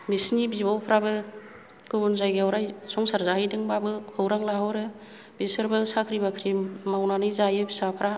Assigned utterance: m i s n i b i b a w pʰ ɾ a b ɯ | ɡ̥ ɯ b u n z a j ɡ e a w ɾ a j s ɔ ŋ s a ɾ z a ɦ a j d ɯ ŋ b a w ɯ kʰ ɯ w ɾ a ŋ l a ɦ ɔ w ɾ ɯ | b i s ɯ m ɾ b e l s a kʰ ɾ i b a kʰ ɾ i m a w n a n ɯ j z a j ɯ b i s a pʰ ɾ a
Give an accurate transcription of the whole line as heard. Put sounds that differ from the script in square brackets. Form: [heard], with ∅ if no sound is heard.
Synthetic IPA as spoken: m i s n i b i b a w pʰ ɾ a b ɯ | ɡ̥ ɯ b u n z a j ɡ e a w ɾ a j s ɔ ŋ s a ɾ z a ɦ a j d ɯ ŋ b a [b] ɯ kʰ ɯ w ɾ a ŋ l a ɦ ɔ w ɾ ɯ | b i s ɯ [∅] ɾ b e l s a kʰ ɾ i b a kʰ ɾ i m a w n a n ɯ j z a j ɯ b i s a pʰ ɾ a

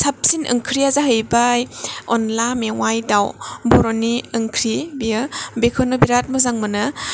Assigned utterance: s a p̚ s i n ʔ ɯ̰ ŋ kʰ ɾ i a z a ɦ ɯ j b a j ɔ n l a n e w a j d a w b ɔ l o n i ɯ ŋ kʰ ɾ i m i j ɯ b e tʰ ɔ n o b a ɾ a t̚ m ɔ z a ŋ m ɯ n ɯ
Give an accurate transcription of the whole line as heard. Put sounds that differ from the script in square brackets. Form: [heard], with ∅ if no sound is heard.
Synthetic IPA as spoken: s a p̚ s i n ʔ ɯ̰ ŋ kʰ ɾ i a z a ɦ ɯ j b a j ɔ n l a [m] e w a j d a w b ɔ [ɾ] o n i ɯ ŋ kʰ ɾ i [b] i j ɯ b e [kʰ] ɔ n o b [i] ɾ a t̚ m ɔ z a ŋ m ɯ n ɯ

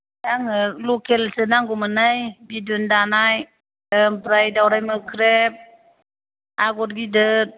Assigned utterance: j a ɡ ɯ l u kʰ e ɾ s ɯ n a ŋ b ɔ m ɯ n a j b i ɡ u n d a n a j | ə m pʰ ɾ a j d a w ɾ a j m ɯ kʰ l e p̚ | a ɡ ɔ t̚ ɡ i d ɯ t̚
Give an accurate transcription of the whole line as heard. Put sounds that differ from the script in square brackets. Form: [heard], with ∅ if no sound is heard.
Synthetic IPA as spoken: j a [ŋ] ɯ l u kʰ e [l] s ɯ n a ŋ [ɡ] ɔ m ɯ n a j b i [d] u n d a n a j | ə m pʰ ɾ a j d a w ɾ a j m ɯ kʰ [ɾ] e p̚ | a ɡ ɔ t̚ ɡ i d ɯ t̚

